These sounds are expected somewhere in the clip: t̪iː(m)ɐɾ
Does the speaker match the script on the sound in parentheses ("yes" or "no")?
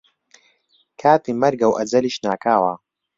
yes